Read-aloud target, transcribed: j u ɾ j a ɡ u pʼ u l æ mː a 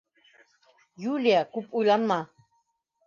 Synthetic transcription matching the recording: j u l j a k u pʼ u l a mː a

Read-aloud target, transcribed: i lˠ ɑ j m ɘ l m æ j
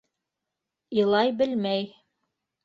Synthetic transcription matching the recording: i lˠ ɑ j b ɘ l m æ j

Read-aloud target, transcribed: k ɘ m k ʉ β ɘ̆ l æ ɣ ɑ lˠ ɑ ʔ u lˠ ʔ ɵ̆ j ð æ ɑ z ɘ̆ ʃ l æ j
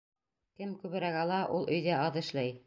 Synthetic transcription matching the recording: k ɘ m k ʉ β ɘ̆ ɾ æ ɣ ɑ lˠ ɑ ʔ u lˠ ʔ ɵ̆ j ð æ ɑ ð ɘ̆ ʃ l æ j

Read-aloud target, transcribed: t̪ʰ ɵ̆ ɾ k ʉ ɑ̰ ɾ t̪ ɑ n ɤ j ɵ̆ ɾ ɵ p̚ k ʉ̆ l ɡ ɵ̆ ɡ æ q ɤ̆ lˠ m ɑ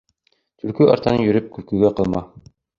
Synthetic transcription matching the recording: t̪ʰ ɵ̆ l k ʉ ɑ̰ ɾ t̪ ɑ n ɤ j ɵ̆ ɾ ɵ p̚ k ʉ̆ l k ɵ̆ ɡ æ q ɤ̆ lˠ m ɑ

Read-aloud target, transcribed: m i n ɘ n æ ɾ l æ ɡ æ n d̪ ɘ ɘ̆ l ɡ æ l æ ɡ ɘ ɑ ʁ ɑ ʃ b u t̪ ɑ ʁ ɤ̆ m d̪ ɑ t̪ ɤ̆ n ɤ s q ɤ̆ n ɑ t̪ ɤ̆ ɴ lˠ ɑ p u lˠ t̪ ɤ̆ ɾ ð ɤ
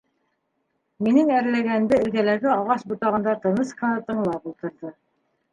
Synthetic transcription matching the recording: m i n ɘ ŋ æ ɾ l æ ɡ æ n d̪ ɘ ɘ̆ l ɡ æ l æ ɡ ɘ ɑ ʁ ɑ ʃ b u t̪ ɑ ʁ ɤ̆ n d̪ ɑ t̪ ɤ̆ n ɤ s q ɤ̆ n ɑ t̪ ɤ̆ ɴ lˠ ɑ p u lˠ t̪ ɤ̆ ɾ ð ɤ

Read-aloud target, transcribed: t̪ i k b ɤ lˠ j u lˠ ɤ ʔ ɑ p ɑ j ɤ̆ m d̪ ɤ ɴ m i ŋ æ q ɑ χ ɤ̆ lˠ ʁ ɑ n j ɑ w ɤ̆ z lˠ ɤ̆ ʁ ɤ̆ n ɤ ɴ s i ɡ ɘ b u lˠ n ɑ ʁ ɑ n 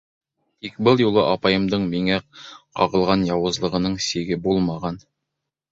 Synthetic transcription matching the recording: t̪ i k b ɤ lˠ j u lˠ ɤ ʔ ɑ p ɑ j ɤ̆ m d̪ ɤ ɴ m i ŋ æ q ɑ ʁ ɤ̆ lˠ ʁ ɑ n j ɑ w ɤ̆ z lˠ ɤ̆ ʁ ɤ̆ n ɤ ɴ s i ɡ ɘ b u lˠ m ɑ ʁ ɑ n

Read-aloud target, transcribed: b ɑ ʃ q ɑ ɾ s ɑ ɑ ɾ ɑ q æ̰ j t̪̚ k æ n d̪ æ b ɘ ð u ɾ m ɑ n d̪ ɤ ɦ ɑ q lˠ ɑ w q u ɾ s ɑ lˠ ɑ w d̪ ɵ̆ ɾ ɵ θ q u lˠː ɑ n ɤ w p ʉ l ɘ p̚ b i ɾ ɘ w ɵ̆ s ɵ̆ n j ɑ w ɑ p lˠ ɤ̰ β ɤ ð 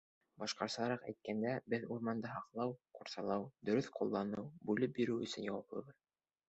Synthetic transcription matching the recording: b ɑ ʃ q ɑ ɾ s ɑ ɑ ɾ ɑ q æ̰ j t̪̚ k æ n d̪ æ b ɘ ð u ɾ m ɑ n d̪ ɤ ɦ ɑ q lˠ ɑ w q u ɾ s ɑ lˠ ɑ w d̪ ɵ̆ ɾ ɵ θ q u lˠː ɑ n ɤ w b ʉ l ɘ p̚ b i ɾ ɘ w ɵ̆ s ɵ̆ n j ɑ w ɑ p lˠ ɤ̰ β ɤ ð

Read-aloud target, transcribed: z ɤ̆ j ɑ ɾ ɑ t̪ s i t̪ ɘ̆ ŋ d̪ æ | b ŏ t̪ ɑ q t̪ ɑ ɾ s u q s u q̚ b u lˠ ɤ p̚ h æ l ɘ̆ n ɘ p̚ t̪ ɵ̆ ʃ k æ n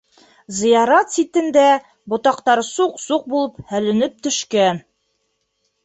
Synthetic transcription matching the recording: z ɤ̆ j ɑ ɾ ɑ t̪ s i t̪ ɘ̆ n d̪ æ | b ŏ t̪ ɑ q t̪ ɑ ɾ s u q s u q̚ b u lˠ ɤ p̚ h æ l ɘ̆ n ɘ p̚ t̪ ɵ̆ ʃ k æ n

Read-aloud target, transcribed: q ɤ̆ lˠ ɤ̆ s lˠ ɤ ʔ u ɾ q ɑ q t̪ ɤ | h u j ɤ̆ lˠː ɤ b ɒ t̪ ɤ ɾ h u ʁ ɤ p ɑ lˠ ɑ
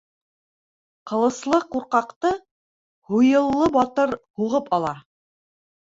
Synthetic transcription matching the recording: q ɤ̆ lˠ ɤ̆ s lˠ ɤ q u ɾ q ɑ q t̪ ɤ | h u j ɤ̆ lˠː ɤ b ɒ t̪ ɤ ɾ h u ʁ ɤ p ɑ lˠ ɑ

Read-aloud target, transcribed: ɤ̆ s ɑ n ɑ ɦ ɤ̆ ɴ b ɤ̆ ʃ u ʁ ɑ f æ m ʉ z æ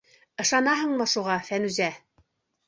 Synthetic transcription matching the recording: ɤ̆ ʃ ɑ n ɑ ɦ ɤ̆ ɴ m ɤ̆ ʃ u ʁ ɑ f æ n ʉ z æ

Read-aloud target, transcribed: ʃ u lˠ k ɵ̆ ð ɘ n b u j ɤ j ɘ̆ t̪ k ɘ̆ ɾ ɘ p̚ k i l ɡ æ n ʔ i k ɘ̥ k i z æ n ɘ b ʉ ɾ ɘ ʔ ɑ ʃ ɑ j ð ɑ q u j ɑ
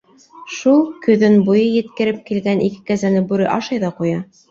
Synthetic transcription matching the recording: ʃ u lˠ k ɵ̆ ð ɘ n b u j ɤ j ɘ̆ t̪ k ɘ̆ ɾ ɘ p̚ k i l ɡ æ n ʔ i k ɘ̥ k æ z æ n ɘ b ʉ ɾ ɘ ʔ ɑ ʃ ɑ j ð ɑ q u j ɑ

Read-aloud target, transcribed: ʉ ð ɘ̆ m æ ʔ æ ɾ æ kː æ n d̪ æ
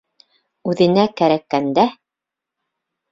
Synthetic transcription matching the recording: ʉ ð ɘ̆ n æ k æ ɾ æ kː æ n d̪ æ

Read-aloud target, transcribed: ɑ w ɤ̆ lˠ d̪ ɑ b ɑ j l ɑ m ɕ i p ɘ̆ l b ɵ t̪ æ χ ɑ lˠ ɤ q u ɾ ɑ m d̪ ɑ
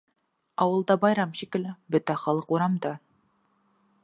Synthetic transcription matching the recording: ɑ w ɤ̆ lˠ d̪ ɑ b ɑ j ɾ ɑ m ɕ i k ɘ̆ l b ɵ t̪ æ χ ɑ lˠ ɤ q u ɾ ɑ m d̪ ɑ

